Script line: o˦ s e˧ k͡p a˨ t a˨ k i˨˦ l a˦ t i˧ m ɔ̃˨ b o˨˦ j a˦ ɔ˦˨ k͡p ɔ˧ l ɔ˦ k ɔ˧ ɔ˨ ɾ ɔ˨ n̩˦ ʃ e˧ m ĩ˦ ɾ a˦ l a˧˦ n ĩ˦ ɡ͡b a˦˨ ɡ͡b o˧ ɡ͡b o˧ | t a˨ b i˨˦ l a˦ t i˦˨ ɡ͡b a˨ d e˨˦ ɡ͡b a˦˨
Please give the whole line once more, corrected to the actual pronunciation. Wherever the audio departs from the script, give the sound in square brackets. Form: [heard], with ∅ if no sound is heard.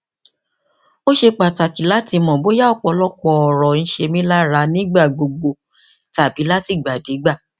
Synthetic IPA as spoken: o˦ [ʃ] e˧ k͡p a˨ t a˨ k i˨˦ l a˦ t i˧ m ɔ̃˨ b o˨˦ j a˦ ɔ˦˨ k͡p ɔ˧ l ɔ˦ [k͡p] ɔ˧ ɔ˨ ɾ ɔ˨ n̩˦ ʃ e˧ m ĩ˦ [l] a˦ [ɾ] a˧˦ n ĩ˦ ɡ͡b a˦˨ ɡ͡b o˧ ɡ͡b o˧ | t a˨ b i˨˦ l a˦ t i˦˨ ɡ͡b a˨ d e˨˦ ɡ͡b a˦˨